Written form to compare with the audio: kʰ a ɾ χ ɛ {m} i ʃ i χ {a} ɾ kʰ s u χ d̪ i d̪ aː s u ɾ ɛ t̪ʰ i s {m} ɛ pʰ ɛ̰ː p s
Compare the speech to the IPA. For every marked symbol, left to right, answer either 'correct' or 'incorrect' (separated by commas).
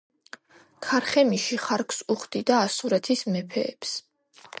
correct, correct, correct